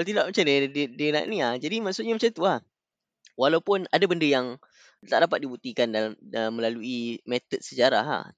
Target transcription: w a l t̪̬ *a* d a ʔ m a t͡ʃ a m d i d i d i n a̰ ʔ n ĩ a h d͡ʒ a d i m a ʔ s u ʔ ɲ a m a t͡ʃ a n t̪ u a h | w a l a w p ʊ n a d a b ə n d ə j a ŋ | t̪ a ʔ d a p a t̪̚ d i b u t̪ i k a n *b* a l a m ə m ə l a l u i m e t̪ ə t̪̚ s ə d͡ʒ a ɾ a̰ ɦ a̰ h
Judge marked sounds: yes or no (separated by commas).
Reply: no, no